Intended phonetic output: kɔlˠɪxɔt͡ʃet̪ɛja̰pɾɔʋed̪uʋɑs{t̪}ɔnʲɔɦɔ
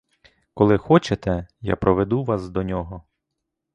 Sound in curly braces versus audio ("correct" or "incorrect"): incorrect